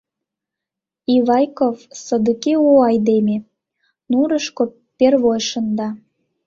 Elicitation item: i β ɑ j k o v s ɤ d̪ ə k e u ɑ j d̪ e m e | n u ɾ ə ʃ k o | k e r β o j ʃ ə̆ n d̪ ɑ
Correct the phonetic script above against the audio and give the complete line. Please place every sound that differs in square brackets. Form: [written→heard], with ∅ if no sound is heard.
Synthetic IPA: i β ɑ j k o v s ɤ d̪ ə k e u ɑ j d̪ e m e | n u ɾ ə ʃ k o | [k→p] e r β o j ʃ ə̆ n d̪ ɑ